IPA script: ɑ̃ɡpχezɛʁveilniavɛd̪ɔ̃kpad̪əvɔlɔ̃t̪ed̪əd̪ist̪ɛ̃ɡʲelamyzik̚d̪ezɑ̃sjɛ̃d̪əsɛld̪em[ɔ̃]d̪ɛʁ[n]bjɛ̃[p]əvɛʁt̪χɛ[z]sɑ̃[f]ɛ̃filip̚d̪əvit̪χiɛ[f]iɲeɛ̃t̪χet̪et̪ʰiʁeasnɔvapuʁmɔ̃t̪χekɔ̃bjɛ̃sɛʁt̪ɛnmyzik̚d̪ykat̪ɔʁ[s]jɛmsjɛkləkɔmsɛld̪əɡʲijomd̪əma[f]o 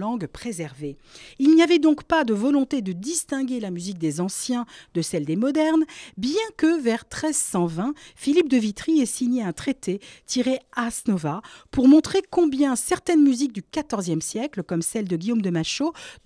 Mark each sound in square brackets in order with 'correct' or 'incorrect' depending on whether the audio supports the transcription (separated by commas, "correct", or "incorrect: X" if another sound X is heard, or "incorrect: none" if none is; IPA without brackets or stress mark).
incorrect: ɔ, correct, incorrect: k, correct, incorrect: v, incorrect: s, incorrect: z, incorrect: ʃ